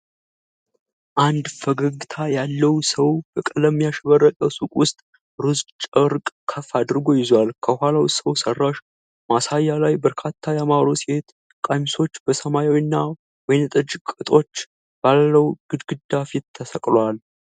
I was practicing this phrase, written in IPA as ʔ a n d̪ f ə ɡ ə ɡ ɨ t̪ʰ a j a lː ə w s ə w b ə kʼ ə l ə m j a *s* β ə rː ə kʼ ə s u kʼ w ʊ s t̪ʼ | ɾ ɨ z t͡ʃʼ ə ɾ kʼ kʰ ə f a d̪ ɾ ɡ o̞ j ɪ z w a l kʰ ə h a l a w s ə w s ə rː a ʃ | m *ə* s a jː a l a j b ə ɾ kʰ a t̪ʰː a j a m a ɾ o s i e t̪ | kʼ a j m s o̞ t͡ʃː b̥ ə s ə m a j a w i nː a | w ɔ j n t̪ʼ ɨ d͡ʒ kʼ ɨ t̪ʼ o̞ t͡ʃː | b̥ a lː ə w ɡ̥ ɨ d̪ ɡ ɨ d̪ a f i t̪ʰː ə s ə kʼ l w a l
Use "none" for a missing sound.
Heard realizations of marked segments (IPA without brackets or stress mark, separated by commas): ʃ, a